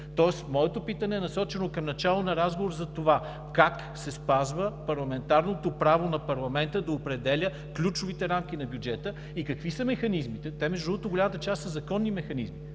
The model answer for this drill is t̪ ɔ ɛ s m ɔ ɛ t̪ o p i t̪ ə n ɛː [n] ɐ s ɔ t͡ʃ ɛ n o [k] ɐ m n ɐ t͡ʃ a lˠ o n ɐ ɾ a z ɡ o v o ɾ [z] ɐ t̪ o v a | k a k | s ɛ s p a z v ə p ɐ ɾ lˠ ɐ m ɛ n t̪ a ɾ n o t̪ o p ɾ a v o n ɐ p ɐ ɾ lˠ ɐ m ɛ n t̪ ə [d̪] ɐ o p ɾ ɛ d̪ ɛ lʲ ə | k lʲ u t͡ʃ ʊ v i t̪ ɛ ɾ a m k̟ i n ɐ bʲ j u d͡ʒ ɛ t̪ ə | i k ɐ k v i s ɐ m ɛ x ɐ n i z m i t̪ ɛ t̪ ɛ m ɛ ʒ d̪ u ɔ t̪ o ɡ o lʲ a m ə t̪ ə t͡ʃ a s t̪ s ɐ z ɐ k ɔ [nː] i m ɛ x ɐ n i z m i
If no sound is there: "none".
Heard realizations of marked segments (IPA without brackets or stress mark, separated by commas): n, k, z, d̪, nː